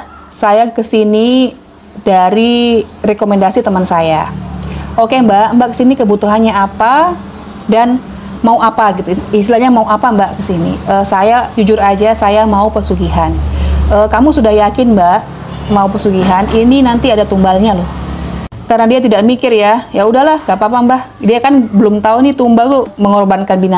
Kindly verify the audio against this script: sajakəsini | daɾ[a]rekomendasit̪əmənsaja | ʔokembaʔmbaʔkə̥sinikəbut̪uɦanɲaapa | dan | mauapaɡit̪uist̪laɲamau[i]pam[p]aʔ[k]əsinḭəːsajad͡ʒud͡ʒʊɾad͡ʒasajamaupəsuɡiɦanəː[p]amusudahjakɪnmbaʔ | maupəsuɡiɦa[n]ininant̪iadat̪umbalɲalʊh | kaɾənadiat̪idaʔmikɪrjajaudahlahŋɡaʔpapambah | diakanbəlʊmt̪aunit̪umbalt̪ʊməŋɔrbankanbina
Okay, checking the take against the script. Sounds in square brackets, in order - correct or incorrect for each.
incorrect: i, incorrect: a, incorrect: b, correct, incorrect: k, correct

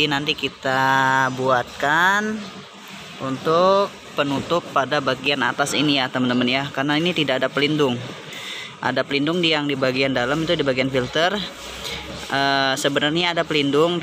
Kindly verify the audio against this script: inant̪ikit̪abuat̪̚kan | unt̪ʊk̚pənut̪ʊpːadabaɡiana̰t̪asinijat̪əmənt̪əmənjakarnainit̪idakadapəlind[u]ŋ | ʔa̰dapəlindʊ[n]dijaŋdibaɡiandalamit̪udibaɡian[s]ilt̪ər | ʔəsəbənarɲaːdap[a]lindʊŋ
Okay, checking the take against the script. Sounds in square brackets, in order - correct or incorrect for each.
incorrect: ʊ, incorrect: ŋ, incorrect: f, incorrect: ə

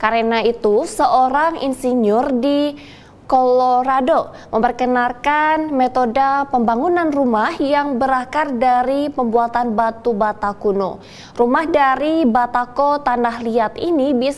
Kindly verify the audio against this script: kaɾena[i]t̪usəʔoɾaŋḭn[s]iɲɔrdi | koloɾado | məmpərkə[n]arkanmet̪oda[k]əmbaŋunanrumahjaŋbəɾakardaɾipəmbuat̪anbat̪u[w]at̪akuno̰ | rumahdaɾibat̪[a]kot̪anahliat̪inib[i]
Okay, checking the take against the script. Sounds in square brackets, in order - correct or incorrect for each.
correct, correct, correct, incorrect: p, incorrect: b, correct, correct

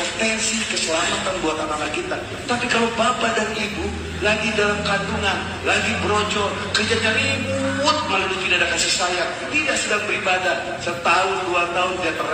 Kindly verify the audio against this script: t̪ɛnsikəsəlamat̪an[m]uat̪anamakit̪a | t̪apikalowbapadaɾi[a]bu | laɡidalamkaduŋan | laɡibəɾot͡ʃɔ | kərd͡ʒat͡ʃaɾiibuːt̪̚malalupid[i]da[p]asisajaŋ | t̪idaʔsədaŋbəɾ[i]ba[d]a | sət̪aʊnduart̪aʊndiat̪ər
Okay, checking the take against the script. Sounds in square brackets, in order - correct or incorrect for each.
incorrect: b, incorrect: i, incorrect: a, incorrect: k, correct, correct

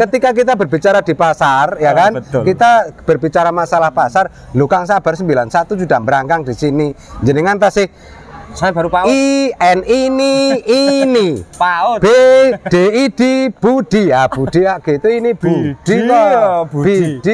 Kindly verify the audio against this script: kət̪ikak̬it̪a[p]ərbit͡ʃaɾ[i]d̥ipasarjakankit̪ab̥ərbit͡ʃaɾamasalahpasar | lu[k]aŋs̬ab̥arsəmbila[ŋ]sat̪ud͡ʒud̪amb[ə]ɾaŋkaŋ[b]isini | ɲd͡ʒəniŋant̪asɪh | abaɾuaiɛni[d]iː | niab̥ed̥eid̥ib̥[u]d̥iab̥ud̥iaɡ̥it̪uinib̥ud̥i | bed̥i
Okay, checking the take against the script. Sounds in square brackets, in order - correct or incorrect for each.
incorrect: b, incorrect: a, correct, incorrect: n, correct, incorrect: d, incorrect: n, correct

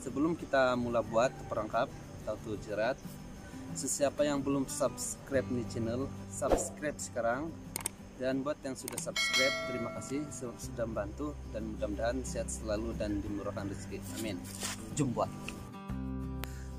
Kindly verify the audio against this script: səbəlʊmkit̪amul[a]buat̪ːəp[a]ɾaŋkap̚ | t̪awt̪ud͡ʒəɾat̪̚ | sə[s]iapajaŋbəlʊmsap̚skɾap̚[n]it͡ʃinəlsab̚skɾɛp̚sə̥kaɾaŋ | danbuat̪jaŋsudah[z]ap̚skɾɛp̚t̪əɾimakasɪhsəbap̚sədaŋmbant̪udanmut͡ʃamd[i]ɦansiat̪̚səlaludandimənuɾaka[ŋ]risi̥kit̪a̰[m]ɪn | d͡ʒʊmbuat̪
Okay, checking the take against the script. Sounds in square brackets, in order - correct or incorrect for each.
correct, incorrect: ə, correct, correct, incorrect: s, incorrect: a, incorrect: n, correct

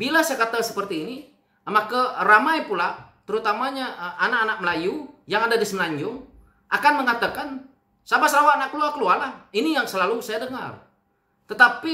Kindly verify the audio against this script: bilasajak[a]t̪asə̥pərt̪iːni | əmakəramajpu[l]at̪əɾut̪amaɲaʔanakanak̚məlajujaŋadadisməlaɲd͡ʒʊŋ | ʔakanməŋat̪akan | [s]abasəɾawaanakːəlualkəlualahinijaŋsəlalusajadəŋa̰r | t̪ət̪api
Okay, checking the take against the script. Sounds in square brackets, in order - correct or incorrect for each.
correct, correct, correct

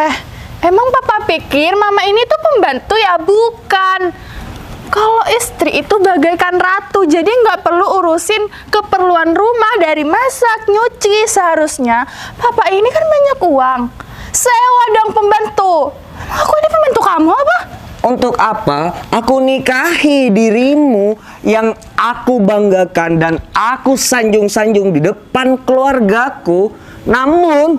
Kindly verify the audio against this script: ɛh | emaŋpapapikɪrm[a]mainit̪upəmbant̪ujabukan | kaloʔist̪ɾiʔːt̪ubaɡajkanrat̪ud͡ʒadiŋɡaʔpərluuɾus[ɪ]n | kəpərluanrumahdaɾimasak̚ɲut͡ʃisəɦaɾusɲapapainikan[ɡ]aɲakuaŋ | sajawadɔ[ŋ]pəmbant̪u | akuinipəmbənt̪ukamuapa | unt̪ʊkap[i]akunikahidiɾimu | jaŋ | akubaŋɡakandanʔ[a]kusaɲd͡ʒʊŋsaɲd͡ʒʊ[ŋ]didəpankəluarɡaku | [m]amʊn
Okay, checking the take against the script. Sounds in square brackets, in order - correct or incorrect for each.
correct, correct, incorrect: b, correct, incorrect: a, correct, correct, incorrect: n

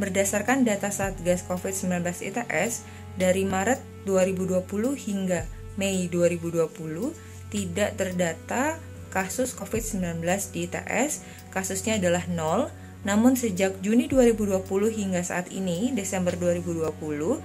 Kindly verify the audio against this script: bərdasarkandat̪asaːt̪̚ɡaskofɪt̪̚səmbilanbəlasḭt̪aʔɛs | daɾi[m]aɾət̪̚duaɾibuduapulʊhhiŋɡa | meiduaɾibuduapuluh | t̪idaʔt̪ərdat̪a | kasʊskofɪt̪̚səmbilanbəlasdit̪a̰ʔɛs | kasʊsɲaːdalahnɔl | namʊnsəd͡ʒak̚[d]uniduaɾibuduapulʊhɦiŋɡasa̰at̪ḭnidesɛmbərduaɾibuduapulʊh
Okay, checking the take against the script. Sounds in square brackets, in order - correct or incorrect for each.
correct, incorrect: d͡ʒ

